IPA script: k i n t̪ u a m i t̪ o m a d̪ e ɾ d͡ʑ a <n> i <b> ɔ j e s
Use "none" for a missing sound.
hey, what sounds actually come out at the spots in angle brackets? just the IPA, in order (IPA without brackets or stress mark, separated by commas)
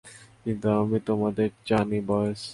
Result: n, b